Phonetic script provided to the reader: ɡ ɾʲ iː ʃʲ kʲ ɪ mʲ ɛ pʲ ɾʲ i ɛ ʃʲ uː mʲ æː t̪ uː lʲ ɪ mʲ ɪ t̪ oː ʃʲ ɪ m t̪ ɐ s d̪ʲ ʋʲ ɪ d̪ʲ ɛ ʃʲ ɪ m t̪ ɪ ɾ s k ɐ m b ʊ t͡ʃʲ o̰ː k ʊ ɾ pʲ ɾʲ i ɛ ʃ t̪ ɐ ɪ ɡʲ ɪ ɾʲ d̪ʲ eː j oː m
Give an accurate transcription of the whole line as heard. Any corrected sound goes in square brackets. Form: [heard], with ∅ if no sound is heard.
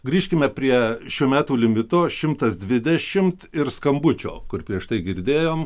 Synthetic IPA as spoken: ɡ ɾʲ iː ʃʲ kʲ ɪ mʲ ɛ pʲ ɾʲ i ɛ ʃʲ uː mʲ æː t̪ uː lʲ ɪ mʲ ɪ t̪ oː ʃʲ ɪ m t̪ ɐ s d̪ʲ ʋʲ ɪ d̪ʲ ɛ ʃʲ ɪ m t̪ ɪ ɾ s k ɐ m b ʊ t͡ʃʲ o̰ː k ʊ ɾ pʲ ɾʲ i ɛ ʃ t̪ ɐ ɪ ɡʲ ɪ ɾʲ d̪ʲ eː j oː m